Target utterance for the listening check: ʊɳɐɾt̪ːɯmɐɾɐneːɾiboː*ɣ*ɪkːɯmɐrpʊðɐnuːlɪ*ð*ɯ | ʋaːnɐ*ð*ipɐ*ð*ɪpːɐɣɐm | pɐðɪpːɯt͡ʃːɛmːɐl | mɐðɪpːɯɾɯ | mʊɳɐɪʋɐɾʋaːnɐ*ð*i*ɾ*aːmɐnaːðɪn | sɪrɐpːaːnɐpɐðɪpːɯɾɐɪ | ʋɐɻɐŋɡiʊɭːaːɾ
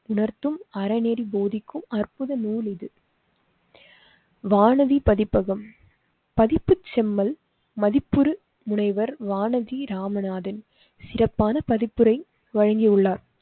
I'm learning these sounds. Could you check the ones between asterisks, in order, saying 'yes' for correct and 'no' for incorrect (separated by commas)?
no, yes, yes, yes, yes, yes